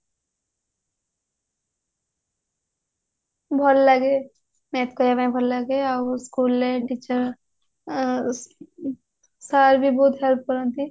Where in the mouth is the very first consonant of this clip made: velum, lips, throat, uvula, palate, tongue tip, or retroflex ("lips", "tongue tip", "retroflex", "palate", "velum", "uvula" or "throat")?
lips